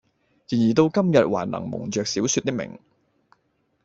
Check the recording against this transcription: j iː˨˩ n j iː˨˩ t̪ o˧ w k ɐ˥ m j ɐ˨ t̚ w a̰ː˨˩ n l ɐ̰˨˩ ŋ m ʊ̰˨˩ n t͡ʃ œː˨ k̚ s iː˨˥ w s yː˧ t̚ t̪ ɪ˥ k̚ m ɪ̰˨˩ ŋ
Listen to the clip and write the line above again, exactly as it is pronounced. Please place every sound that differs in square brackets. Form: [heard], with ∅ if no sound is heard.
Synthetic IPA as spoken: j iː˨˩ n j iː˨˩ t̪ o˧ w k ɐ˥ m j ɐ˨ t̚ w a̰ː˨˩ n l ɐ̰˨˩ ŋ m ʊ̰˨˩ [ŋ] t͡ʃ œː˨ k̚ s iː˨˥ w s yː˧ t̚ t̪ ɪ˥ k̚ m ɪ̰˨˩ ŋ